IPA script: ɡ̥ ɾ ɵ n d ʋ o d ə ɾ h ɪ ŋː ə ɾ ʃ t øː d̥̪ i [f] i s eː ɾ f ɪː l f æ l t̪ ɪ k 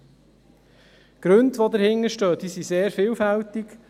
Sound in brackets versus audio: incorrect: s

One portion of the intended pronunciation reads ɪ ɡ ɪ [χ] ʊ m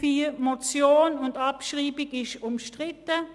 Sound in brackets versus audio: incorrect: ʃ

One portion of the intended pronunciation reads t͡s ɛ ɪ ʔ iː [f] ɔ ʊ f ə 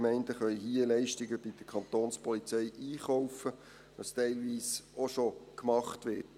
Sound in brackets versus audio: incorrect: χ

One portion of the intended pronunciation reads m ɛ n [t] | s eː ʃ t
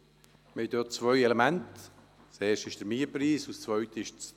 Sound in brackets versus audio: correct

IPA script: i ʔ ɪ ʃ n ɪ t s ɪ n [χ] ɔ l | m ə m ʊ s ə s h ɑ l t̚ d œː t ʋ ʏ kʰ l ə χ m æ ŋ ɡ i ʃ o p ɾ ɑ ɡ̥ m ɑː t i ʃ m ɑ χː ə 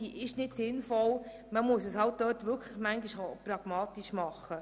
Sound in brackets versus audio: incorrect: f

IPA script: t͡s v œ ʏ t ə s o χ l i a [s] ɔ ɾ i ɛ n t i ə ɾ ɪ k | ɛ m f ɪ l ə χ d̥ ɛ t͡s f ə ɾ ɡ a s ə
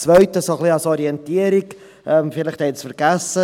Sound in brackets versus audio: correct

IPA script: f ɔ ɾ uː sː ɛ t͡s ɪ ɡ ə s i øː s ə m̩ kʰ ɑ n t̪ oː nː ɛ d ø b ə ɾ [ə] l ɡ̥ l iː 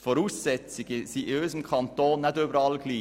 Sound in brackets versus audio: incorrect: ɑ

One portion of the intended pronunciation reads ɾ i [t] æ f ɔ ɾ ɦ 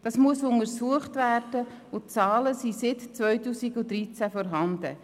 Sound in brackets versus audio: incorrect: t͡s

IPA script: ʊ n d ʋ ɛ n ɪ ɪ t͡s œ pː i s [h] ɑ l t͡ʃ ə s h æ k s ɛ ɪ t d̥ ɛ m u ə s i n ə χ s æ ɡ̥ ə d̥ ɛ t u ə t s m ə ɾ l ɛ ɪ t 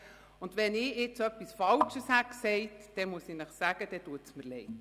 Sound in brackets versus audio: incorrect: f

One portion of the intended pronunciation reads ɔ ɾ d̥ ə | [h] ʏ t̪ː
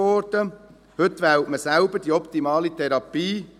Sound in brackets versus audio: correct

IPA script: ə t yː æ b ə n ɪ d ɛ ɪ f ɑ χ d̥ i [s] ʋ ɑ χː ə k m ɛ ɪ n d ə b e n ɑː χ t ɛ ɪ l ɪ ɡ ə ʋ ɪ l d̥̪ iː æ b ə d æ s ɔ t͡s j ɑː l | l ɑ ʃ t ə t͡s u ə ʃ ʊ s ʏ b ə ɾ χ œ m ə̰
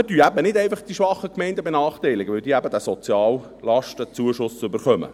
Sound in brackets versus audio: incorrect: ʃ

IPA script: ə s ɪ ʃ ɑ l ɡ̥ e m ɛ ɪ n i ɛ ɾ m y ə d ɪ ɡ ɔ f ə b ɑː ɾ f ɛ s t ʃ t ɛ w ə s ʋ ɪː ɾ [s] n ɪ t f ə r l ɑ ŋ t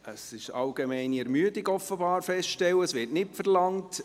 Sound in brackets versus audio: incorrect: t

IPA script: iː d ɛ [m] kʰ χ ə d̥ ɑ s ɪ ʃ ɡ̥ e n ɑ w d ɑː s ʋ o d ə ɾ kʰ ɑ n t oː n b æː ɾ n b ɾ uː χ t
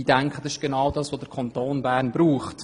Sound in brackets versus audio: incorrect: ŋ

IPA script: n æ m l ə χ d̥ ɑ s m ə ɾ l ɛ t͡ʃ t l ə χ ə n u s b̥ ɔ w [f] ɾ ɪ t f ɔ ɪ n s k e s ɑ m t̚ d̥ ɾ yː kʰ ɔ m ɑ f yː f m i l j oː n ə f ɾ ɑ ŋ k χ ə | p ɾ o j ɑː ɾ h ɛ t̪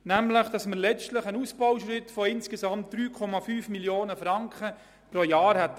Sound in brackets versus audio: incorrect: ʃ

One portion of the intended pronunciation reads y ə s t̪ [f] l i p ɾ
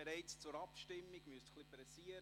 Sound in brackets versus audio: incorrect: χ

